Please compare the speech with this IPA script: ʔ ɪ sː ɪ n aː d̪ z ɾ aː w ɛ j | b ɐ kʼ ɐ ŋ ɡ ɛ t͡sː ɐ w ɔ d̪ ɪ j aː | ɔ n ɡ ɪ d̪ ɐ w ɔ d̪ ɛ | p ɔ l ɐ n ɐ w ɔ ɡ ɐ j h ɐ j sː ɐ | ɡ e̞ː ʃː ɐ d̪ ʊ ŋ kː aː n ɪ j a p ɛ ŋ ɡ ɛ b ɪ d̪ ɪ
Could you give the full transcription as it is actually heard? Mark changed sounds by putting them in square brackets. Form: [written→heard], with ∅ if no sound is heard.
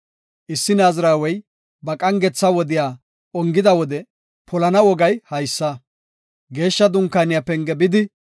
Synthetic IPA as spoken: ʔ ɪ sː ɪ n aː [d̪→∅] z ɾ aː w ɛ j | b ɐ kʼ ɐ ŋ ɡ ɛ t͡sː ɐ w ɔ d̪ ɪ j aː | ɔ [n→ŋ] ɡ ɪ d̪ ɐ w ɔ d̪ ɛ | p ɔ l ɐ n ɐ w ɔ ɡ ɐ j h ɐ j sː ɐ | ɡ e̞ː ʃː ɐ d̪ ʊ ŋ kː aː n ɪ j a p ɛ ŋ ɡ ɛ b ɪ d̪ ɪ

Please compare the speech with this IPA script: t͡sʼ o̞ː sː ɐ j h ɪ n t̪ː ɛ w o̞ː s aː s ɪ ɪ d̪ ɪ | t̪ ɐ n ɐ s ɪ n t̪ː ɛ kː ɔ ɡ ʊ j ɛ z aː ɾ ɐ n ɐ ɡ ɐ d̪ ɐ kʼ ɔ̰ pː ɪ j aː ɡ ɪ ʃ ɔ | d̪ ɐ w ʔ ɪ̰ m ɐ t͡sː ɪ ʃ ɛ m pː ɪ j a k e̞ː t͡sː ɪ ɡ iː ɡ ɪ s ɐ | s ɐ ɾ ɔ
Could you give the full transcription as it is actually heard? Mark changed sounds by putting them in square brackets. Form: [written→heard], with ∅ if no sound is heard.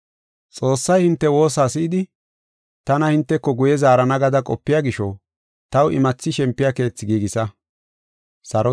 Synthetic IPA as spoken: t͡sʼ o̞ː sː ɐ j h ɪ n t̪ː ɛ w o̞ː s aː s ɪ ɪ d̪ ɪ | t̪ ɐ n ɐ [s→h] ɪ n t̪ː ɛ kː ɔ ɡ ʊ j ɛ z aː ɾ ɐ n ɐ ɡ ɐ d̪ ɐ kʼ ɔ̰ pː ɪ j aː ɡ ɪ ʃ ɔ | [d̪→t̪] ɐ w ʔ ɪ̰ m ɐ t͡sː ɪ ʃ ɛ m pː ɪ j a k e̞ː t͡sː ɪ ɡ iː ɡ ɪ s ɐ | s ɐ ɾ ɔ

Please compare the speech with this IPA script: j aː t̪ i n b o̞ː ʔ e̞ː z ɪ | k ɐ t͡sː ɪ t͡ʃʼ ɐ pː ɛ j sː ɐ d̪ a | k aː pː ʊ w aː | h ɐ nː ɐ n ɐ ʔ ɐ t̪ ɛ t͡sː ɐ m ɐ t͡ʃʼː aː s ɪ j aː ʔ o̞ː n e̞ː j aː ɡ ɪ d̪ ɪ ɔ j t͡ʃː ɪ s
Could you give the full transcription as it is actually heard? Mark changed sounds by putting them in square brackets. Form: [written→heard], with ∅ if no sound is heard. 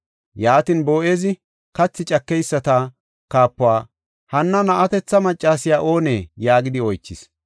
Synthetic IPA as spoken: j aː t̪ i n b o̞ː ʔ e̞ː z ɪ | k ɐ t͡sː ɪ t͡ʃʼ ɐ [pː→kː] ɛ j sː ɐ [d̪→t̪] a | k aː pː ʊ w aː | h ɐ nː ɐ n ɐ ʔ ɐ t̪ ɛ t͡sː ɐ m ɐ t͡ʃʼː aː s ɪ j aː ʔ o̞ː n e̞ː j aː ɡ ɪ d̪ ɪ ɔ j t͡ʃː ɪ s

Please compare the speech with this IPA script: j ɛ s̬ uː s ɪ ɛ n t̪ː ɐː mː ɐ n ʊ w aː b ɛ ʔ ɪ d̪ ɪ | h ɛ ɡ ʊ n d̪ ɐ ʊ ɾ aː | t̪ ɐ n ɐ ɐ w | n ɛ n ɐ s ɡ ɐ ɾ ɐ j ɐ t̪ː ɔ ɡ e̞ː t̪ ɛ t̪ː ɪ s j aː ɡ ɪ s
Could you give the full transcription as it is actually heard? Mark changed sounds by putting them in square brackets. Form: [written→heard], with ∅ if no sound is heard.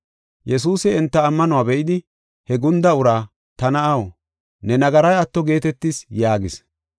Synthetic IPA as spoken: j ɛ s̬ uː s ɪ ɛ n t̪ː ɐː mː ɐ n ʊ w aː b ɛ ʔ ɪ d̪ ɪ | h ɛ ɡ ʊ n d̪ ɐ ʊ ɾ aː | t̪ ɐ n ɐ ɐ w | n ɛ n ɐ [s→∅] ɡ ɐ ɾ ɐ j ɐ t̪ː ɔ ɡ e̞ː t̪ ɛ t̪ː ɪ s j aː ɡ ɪ s

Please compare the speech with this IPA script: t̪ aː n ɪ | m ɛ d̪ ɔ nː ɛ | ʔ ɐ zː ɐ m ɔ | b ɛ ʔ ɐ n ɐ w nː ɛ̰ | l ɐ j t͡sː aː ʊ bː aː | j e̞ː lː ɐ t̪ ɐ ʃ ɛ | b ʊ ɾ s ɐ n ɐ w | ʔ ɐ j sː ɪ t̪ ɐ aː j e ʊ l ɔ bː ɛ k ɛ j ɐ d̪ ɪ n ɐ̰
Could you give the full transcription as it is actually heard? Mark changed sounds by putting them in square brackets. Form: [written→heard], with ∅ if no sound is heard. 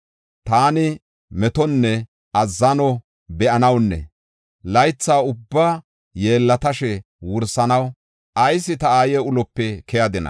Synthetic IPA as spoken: t̪ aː n ɪ | m ɛ [d̪→t̪] ɔ nː ɛ | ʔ ɐ zː ɐ [m→n] ɔ | b ɛ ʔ ɐ n ɐ w nː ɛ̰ | l ɐ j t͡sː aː ʊ bː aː | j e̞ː lː ɐ t̪ ɐ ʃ ɛ | [b→w] ʊ ɾ s ɐ n ɐ w | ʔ ɐ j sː ɪ t̪ ɐ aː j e ʊ l ɔ [bː→pː] ɛ k ɛ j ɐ d̪ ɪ n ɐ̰

